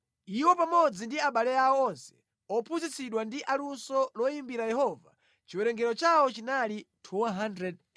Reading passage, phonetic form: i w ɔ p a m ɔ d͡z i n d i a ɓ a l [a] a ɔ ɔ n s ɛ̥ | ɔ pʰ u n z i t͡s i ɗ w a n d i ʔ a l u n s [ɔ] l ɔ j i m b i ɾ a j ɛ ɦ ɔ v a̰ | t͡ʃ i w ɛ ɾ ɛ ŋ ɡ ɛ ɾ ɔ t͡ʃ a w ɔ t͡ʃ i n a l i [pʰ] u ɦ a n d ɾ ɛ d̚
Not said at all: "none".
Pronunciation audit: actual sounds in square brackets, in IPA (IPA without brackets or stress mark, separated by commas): ɛ, ɔ, tʰ